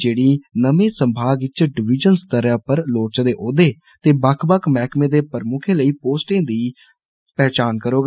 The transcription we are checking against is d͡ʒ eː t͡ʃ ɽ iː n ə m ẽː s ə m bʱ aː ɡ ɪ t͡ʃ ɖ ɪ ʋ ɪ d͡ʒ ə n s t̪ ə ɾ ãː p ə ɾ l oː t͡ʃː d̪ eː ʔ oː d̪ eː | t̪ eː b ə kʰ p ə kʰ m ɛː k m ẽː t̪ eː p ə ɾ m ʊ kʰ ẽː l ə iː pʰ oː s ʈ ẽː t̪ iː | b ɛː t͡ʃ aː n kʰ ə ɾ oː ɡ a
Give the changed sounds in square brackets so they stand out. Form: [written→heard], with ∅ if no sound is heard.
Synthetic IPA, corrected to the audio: d͡ʒ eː [t͡ʃ→∅] ɽ iː n ə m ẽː s ə m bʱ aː ɡ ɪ t͡ʃ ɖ ɪ ʋ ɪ d͡ʒ ə n s t̪ ə ɾ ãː p ə ɾ l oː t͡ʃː d̪ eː ʔ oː d̪ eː | t̪ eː b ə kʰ [p→b] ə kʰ m ɛː k m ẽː [t̪→d̪] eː p ə ɾ m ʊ kʰ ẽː l ə iː [pʰ→p] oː s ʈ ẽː [t̪→d̪] iː | [b→p] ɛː t͡ʃ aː n [kʰ→k] ə ɾ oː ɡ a